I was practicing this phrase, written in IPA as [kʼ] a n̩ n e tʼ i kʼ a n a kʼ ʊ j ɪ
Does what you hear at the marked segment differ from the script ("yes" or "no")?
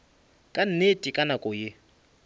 no